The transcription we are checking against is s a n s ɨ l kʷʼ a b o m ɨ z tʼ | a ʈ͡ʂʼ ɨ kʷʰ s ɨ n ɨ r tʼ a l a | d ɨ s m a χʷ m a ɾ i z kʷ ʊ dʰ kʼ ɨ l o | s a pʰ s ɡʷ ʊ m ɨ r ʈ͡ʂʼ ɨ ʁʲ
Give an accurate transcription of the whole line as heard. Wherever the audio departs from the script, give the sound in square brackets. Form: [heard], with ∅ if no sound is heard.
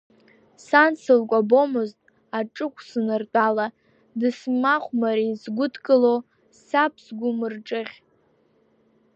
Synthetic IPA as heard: s a n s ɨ l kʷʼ a b o m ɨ z tʼ | a ʈ͡ʂʼ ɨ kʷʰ s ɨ n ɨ r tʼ a l a | d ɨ s m a χʷ m a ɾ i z [ɡʷ] ʊ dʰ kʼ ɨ l o | s a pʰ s ɡʷ ʊ m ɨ r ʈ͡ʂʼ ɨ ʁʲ

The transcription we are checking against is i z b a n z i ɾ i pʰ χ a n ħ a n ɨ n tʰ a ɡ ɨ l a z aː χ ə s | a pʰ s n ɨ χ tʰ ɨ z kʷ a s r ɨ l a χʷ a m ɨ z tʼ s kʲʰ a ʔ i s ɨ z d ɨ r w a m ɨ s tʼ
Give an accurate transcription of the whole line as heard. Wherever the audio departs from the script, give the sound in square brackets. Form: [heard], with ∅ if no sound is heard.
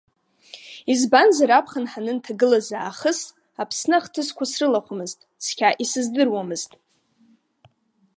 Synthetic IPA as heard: i z b a n z [a] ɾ [a] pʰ χ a n ħ a n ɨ n tʰ a ɡ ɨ l a z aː χ ə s | a pʰ s n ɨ χ tʰ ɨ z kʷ a s r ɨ l a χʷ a m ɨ z tʼ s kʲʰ a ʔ i s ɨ z d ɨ r w a m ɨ [z] tʼ

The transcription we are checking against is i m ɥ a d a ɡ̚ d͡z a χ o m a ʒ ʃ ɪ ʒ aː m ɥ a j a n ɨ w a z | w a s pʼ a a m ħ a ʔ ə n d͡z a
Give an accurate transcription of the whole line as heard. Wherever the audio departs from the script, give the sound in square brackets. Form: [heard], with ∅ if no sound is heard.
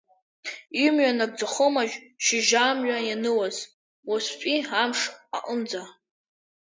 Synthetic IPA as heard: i m ɥ a [n] a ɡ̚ d͡z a χ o m a ʒ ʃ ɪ ʒ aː m ɥ a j a n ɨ w a z | w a s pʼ [i] a m [ʂ] a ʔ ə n d͡z a

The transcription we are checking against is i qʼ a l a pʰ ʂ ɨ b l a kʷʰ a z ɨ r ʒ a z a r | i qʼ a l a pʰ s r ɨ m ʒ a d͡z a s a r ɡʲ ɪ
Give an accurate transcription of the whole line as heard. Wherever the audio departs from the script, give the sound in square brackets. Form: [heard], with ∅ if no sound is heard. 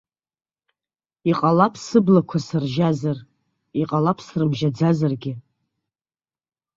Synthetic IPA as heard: i qʼ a l a pʰ [s] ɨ b l a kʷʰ a [s] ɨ r ʒ a z a r | i qʼ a l a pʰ s r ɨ m ʒ a d͡z a [z] a r ɡʲ ɪ

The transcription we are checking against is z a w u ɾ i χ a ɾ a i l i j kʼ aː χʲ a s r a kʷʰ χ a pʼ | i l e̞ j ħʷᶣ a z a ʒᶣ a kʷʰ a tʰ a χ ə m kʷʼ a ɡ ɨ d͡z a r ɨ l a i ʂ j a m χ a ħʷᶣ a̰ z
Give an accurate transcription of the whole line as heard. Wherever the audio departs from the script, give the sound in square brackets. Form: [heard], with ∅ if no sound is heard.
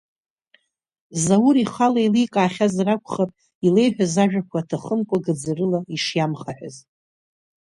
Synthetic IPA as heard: z a w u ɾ i χ a [l] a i l i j kʼ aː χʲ a [z] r a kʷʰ χ a pʼ | i l e̞ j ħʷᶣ a z a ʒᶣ a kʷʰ a tʰ a χ ə m kʷʼ a ɡ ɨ d͡z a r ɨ l a i ʂ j a m χ a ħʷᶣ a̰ z

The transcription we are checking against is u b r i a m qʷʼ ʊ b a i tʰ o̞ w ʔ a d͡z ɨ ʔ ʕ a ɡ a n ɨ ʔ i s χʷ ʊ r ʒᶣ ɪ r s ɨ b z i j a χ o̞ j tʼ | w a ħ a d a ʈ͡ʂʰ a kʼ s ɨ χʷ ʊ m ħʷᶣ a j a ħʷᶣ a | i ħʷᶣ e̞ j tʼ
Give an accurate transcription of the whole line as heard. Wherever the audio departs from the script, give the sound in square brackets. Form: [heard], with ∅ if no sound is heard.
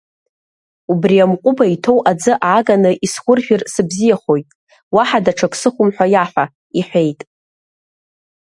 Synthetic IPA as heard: u b r i a m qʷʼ ʊ b a i tʰ o̞ w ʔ a d͡z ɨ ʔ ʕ a ɡ a n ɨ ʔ i s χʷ ʊ r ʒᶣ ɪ r s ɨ b z i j a χ o̞ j tʼ | w a ħ a d a ʈ͡ʂʰ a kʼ s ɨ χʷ ʊ m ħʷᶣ a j a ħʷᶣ a | i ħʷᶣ e̞ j tʼ

